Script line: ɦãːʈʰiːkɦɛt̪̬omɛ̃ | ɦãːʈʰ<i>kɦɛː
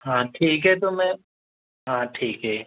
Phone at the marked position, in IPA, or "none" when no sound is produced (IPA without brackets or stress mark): iː